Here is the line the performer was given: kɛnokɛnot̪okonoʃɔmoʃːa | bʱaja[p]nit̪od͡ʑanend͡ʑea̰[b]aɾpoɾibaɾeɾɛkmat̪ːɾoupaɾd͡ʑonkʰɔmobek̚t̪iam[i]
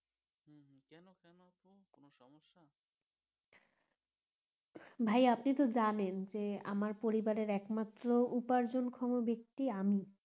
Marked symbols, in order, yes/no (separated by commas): yes, no, yes